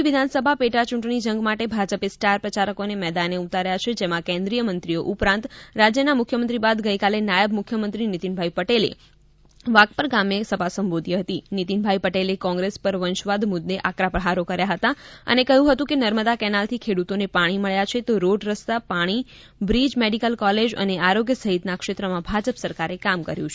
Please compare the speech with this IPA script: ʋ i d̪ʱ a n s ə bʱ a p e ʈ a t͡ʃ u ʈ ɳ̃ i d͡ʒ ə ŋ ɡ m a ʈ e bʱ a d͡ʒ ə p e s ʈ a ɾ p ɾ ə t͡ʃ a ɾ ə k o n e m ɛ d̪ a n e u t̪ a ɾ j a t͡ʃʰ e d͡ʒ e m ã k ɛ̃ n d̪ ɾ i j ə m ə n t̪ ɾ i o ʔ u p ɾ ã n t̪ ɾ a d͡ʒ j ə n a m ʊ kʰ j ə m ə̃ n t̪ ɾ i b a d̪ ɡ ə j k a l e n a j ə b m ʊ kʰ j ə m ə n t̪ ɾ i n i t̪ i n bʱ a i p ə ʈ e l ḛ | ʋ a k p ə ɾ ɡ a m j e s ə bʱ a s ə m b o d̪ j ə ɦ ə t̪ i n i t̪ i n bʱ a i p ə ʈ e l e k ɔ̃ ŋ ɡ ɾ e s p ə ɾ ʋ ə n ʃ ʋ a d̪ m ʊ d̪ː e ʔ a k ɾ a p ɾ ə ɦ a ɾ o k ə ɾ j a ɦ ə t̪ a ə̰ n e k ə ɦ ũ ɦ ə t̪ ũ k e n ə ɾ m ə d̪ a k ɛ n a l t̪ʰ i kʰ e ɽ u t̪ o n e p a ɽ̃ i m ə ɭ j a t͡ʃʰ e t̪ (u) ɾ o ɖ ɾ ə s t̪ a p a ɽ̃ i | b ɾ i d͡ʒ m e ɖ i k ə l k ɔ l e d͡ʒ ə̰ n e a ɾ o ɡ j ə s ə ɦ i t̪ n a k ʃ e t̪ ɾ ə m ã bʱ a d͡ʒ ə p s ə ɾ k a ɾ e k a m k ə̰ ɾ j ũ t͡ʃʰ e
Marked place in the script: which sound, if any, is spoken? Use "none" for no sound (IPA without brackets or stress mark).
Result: o